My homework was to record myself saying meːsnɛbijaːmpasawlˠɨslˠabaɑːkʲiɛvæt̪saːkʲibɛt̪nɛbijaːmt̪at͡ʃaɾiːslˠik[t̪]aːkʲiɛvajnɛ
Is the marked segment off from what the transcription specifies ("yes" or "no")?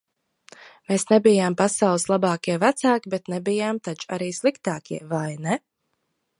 no